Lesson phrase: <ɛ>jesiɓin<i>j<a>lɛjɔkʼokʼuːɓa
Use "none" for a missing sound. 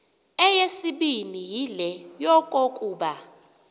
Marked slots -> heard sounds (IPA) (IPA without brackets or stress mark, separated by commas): ɛ, i, i